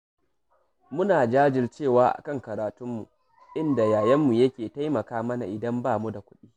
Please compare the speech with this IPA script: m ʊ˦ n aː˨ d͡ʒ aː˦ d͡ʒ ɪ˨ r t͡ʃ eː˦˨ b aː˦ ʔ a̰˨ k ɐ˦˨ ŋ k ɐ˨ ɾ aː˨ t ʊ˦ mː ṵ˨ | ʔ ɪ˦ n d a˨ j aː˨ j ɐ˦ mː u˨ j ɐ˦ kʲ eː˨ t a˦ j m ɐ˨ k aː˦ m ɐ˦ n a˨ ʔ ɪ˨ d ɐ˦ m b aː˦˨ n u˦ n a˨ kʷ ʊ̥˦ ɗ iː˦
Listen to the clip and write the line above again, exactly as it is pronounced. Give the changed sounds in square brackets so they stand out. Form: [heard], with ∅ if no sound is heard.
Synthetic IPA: m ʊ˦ n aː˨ d͡ʒ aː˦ d͡ʒ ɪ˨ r t͡ʃ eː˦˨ [w] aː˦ ʔ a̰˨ k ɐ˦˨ ŋ k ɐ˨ ɾ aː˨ t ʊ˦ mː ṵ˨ | ʔ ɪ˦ n d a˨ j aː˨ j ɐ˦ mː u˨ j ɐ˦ kʲ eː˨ t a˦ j m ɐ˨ k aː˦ m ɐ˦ n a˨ ʔ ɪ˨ d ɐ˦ m b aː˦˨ [m] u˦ [d] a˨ kʷ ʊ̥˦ ɗ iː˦